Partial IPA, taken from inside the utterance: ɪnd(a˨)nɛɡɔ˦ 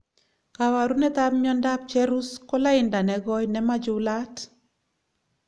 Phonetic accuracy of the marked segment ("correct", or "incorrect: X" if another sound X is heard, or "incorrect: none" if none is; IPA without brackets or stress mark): correct